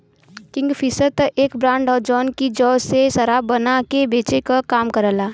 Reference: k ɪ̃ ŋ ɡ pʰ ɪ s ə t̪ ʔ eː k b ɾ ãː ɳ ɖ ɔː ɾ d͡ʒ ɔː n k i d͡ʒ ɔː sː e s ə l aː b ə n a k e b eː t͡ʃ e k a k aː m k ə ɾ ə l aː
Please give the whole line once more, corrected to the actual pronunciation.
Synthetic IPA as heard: k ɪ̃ ŋ ɡ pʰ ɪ s ə t̪ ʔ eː k b ɾ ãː ɳ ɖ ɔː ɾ d͡ʒ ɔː n k i d͡ʒ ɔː s e s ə ɾ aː b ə n a k e b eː t͡ʃ e k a k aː m k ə ɾ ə l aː